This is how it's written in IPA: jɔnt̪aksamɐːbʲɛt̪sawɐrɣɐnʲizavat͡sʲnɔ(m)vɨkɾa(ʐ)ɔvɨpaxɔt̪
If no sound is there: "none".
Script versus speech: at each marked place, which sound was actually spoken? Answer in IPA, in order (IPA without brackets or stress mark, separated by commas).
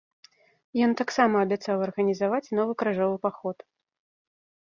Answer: none, ʐ